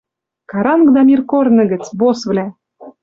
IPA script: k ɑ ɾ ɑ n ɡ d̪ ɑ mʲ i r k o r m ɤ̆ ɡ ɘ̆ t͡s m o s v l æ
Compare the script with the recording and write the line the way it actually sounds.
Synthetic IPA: k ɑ ɾ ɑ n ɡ d̪ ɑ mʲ i r k o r n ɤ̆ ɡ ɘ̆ t͡s b o s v l æ